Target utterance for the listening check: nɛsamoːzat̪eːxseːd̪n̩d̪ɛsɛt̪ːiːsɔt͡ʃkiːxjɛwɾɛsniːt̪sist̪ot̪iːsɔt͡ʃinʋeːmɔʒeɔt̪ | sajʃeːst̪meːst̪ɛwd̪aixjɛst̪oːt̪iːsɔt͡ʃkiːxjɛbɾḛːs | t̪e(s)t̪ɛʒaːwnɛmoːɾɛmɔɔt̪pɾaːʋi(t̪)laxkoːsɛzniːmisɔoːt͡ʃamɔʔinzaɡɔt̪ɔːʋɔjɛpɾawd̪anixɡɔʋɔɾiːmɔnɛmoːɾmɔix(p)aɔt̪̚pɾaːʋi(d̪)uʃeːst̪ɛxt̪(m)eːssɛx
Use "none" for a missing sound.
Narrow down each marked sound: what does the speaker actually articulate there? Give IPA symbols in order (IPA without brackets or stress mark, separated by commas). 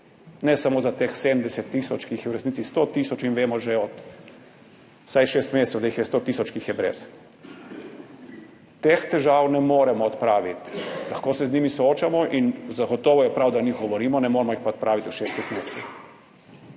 x, t̪, p, t̪, m